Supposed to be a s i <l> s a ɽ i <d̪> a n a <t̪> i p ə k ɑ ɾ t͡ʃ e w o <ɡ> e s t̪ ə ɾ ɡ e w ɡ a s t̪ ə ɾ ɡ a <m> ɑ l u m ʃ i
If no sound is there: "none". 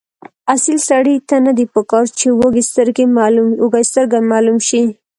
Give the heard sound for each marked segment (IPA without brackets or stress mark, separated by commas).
l, t̪, d̪, ɡ, m